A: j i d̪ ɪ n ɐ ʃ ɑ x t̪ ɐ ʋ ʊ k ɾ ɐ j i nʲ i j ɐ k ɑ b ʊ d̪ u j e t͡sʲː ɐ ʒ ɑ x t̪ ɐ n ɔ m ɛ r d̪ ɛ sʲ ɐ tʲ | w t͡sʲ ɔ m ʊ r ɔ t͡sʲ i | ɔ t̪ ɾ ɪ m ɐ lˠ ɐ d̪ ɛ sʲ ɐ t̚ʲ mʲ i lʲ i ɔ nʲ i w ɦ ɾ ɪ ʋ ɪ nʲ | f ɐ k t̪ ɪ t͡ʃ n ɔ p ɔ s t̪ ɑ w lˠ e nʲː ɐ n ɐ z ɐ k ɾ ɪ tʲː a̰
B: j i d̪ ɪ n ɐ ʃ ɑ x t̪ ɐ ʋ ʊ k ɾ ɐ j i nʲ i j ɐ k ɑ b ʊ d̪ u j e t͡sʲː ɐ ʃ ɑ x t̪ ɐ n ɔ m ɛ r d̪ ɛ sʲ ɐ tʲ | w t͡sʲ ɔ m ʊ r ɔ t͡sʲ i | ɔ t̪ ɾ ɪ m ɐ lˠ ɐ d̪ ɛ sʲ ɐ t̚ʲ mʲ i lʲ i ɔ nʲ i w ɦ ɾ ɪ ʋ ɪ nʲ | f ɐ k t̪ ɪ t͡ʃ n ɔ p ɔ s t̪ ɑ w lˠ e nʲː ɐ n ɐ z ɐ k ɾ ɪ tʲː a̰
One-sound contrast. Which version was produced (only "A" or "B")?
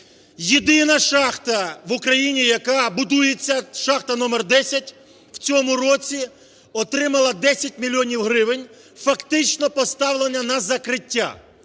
B